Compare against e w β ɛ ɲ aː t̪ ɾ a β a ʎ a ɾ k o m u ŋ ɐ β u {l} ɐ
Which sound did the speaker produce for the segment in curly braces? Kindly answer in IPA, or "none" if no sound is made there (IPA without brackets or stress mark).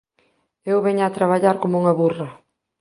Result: r